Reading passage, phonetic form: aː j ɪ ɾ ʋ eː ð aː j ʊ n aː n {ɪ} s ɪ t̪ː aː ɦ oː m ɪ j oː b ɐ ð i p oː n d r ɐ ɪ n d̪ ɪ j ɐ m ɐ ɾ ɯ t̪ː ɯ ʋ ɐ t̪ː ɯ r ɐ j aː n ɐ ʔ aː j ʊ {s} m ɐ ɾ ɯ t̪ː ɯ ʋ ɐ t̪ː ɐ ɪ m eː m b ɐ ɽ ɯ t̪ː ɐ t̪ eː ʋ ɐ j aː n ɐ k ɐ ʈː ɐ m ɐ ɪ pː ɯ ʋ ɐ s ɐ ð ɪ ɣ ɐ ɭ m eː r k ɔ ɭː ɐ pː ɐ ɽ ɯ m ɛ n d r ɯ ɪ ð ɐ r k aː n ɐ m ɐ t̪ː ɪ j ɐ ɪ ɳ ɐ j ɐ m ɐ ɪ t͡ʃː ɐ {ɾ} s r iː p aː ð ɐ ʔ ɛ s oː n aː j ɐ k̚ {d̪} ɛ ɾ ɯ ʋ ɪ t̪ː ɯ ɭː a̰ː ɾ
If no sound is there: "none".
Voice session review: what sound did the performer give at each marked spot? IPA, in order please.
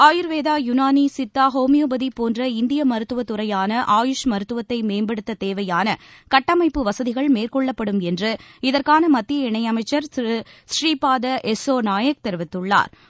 i, ʂ, ɾ, t̪

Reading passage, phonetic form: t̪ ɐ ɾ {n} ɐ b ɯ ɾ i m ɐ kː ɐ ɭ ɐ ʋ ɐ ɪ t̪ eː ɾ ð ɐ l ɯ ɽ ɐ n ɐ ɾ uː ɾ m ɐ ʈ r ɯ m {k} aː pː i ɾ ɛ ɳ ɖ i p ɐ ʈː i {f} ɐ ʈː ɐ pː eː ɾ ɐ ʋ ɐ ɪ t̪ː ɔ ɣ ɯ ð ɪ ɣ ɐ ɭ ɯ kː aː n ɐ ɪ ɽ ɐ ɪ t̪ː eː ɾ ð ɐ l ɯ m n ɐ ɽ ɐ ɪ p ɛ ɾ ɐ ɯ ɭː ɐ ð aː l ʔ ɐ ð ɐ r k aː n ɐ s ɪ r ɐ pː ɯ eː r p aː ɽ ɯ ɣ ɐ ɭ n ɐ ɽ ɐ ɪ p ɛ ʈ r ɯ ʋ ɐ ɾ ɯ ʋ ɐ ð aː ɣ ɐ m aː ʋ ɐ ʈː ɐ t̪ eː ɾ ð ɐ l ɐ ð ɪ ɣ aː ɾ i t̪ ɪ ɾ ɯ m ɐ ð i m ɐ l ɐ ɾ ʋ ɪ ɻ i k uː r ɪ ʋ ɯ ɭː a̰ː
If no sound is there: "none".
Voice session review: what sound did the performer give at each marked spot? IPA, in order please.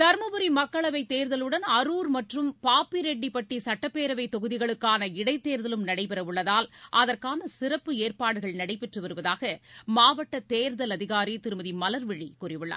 m, p, s

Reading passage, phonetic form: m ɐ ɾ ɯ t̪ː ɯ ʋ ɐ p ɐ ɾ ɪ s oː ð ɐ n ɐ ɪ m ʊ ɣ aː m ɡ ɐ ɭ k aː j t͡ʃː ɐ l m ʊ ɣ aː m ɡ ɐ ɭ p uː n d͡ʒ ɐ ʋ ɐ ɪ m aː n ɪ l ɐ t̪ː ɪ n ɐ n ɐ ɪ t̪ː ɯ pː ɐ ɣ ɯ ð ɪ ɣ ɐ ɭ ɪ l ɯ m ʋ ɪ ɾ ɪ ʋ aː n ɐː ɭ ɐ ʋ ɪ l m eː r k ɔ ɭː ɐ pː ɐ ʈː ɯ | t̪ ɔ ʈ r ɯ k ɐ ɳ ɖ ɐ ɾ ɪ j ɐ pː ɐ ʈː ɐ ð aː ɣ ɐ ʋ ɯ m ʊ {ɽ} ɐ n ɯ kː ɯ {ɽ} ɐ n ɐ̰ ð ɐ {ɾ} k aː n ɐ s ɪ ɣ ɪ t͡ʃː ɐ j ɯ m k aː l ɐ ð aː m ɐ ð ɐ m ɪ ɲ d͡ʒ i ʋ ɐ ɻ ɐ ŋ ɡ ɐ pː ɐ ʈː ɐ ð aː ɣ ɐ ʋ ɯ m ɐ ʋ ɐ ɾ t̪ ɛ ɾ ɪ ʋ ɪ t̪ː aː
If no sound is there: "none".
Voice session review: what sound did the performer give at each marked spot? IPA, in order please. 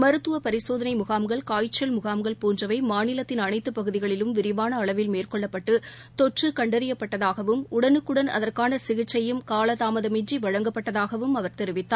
ɽ, ɽ, r

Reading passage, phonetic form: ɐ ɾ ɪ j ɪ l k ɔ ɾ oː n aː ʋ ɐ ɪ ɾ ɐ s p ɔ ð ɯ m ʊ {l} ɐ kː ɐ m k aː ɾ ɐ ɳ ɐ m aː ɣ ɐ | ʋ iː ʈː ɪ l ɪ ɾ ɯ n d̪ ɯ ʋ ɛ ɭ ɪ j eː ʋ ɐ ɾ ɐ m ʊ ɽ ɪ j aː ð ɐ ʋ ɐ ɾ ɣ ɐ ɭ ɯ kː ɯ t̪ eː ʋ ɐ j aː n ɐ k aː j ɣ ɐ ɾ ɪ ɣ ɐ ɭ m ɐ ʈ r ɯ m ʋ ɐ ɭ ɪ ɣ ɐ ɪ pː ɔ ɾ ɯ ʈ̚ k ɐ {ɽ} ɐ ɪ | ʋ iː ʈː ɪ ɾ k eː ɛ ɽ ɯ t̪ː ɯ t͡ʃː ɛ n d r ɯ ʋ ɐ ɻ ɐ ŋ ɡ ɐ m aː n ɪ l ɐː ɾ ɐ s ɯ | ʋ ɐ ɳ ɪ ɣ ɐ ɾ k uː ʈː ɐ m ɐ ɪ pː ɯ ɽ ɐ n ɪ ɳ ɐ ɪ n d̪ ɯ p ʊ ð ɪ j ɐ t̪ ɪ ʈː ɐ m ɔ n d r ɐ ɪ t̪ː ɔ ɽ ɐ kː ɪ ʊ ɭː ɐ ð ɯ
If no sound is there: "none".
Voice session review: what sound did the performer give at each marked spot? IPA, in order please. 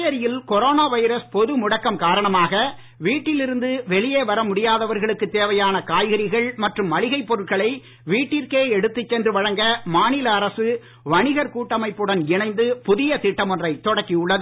ɽ, ɭ

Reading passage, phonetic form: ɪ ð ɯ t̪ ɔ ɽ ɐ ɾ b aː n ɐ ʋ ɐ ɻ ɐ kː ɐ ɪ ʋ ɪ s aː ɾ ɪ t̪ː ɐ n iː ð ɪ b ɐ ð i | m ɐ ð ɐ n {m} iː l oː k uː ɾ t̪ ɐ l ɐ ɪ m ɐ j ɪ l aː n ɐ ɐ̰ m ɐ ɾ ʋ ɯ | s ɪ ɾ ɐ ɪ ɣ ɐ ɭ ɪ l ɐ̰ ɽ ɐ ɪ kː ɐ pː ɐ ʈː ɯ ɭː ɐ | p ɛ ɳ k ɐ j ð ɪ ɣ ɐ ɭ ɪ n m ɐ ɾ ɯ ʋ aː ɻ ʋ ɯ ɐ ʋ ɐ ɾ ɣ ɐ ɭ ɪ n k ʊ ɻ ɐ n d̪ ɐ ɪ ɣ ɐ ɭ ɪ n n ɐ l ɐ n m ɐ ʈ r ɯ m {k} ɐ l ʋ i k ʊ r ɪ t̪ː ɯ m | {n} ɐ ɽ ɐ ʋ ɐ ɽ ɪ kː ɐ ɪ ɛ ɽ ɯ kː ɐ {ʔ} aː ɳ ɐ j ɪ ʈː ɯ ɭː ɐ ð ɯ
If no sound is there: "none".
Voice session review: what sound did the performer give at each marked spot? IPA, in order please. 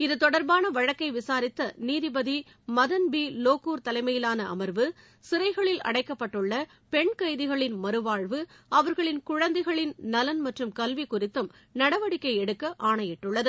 b, k, n, ʔ

